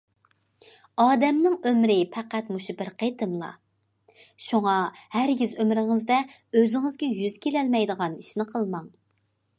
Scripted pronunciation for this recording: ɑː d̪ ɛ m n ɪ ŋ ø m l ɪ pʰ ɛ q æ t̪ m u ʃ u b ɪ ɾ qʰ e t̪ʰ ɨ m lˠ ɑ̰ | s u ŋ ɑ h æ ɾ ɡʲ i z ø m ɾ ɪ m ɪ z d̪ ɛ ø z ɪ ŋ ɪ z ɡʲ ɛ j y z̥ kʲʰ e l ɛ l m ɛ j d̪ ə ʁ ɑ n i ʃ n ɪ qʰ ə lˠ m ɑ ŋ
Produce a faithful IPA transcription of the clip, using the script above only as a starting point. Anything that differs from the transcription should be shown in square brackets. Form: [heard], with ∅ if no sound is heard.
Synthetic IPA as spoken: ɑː d̪ ɛ m n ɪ ŋ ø m [ɾ] ɪ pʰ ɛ q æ t̪ m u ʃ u b ɪ ɾ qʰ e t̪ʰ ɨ m lˠ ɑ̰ | [ʃ] u ŋ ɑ h æ ɾ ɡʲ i z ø m ɾ ɪ [ŋ] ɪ z d̪ ɛ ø z ɪ ŋ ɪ z ɡʲ ɛ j y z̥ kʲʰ e l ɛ l m ɛ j d̪ ə ʁ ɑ n i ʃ n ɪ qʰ ə lˠ m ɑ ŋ